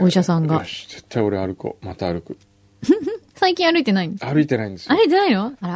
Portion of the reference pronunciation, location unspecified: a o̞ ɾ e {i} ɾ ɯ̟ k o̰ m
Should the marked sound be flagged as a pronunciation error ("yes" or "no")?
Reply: yes